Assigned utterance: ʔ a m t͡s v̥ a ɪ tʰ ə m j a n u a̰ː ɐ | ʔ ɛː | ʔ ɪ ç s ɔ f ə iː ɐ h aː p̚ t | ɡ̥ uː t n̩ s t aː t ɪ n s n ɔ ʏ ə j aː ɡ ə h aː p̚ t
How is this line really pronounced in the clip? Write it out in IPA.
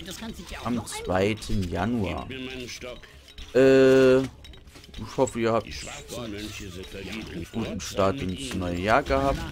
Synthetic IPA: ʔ a m t͡s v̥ a ɪ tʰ ə n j a n u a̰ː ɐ | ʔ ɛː | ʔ ɪ ç h ɔ f ə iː ɐ h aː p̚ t | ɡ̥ uː t n̩ ʃ t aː t ɪ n s n ɔ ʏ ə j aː ɡ ə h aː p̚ t